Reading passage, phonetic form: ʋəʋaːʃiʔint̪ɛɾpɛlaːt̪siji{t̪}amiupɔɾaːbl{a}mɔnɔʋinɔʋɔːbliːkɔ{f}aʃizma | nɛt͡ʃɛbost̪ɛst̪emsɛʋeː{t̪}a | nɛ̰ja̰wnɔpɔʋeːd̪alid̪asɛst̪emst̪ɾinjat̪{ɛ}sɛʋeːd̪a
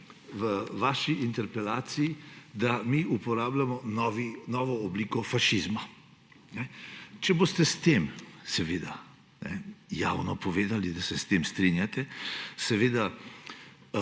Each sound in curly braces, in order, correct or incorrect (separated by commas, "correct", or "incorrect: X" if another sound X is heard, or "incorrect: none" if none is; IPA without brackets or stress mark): incorrect: d̪, correct, correct, incorrect: d̪, correct